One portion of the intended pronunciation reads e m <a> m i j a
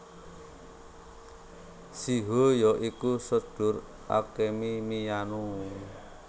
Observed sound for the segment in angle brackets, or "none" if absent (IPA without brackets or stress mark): i